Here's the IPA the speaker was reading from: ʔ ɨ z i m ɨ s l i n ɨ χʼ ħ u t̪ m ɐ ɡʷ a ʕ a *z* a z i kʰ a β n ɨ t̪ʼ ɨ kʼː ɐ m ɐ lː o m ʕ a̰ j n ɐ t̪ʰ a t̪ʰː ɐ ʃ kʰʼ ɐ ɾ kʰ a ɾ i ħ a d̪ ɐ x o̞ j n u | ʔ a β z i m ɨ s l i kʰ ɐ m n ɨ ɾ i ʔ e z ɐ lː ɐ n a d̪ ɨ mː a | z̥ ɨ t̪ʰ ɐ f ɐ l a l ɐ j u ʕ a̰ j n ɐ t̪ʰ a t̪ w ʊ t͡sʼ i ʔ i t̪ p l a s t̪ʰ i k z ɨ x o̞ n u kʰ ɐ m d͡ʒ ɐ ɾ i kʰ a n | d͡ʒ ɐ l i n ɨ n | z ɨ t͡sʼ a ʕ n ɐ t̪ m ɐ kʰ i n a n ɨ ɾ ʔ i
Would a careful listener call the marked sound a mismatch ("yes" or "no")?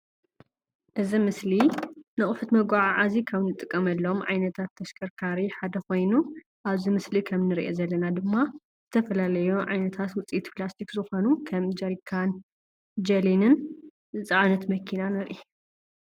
yes